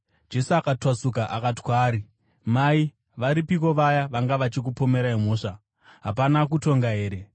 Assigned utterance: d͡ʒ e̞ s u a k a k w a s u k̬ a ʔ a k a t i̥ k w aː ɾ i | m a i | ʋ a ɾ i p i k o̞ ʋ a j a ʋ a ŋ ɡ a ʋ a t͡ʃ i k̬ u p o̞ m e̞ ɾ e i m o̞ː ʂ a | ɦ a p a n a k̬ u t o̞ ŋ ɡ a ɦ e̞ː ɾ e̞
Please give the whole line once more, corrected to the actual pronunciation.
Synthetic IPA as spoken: d͡ʒ e̞ s u a k a t w a s u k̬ a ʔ a k a t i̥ k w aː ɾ i | m a i | ʋ a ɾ i p i k o̞ ʋ a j a ʋ a ŋ ɡ a ʋ a t͡ʃ i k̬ u p o̞ m e̞ ɾ a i m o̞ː ʂ a | ɦ a p a n a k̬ u t o̞ ŋ ɡ a ɦ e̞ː ɾ e̞